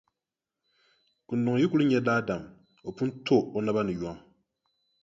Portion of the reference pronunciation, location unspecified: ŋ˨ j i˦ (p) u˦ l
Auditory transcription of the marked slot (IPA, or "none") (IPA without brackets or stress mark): k